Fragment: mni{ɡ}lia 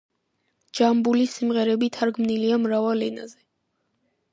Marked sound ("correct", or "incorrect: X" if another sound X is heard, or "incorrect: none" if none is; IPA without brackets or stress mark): incorrect: none